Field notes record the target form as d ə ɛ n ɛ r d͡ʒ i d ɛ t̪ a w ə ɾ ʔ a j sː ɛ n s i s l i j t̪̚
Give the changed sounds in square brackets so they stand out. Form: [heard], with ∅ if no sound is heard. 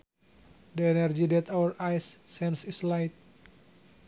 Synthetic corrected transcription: d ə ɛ n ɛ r d͡ʒ i d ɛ t̪ a w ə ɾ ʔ a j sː ɛ n s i s l [a] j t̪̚